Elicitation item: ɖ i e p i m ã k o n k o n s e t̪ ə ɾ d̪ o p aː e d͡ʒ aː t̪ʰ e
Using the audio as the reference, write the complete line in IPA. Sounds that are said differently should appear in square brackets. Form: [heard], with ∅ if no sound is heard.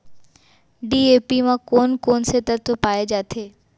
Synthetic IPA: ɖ i e p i m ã k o n k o n s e t̪ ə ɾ [t̪] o p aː e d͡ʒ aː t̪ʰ e